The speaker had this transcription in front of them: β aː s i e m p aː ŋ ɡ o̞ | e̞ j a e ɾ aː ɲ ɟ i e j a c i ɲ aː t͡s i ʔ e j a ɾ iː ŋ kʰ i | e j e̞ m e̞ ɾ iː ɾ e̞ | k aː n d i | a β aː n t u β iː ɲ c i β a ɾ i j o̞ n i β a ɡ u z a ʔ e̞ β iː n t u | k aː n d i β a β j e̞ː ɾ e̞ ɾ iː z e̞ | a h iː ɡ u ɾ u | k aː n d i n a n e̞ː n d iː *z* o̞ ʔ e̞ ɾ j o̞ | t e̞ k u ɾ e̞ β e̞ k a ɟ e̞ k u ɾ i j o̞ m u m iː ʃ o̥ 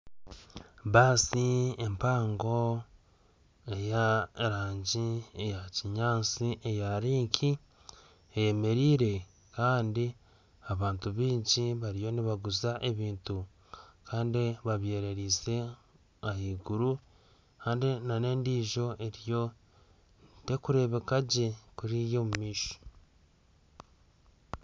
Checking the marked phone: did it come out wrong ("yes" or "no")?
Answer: yes